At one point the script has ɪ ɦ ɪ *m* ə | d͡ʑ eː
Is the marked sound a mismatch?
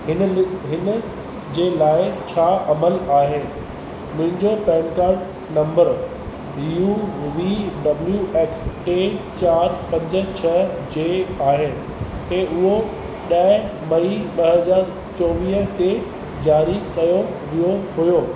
yes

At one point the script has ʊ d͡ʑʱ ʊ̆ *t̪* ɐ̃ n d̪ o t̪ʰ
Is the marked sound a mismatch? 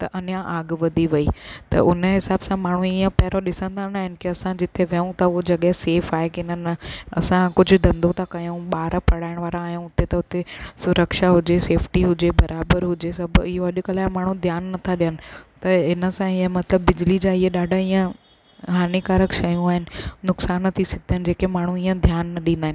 yes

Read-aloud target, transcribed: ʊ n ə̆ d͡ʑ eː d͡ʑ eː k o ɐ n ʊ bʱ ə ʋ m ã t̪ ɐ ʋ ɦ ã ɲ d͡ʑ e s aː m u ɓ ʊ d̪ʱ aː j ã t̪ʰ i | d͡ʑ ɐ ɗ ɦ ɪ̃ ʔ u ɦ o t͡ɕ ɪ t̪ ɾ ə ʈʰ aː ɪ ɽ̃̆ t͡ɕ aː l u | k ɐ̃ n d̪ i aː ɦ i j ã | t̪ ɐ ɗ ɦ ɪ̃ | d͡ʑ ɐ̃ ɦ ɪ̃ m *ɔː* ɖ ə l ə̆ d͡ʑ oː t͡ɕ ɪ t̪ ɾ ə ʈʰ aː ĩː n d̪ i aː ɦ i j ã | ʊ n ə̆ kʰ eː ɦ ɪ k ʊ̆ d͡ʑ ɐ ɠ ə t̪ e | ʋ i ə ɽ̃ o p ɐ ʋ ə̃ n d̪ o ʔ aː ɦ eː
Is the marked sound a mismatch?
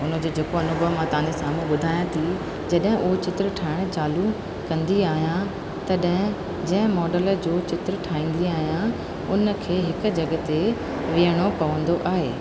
no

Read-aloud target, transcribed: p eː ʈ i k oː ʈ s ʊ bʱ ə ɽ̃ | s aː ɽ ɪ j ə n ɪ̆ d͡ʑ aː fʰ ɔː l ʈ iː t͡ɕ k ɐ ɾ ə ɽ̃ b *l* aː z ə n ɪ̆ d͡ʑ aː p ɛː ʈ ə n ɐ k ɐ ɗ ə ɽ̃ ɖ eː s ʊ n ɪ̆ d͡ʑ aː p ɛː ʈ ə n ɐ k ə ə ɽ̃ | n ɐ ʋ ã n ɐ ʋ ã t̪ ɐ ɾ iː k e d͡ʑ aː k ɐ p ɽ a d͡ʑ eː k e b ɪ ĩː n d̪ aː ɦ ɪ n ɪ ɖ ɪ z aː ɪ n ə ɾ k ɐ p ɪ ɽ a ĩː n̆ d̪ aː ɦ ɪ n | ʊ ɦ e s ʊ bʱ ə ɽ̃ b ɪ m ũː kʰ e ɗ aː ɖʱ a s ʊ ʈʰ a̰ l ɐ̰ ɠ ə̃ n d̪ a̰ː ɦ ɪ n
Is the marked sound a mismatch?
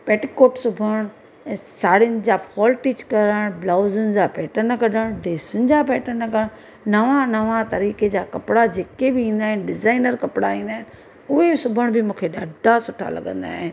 no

